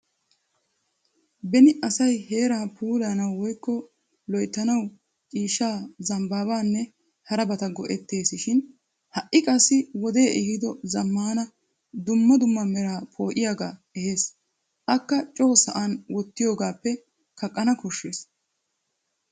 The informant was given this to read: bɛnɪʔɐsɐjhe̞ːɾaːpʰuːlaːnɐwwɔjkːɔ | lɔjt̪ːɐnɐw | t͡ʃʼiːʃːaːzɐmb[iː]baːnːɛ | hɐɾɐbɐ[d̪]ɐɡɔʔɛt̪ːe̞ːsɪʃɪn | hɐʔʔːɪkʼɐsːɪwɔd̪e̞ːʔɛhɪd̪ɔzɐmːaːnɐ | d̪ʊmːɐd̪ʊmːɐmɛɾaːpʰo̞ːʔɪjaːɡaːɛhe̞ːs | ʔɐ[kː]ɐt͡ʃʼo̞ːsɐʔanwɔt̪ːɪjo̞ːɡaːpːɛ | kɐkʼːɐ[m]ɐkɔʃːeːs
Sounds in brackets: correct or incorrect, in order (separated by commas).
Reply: incorrect, incorrect, correct, incorrect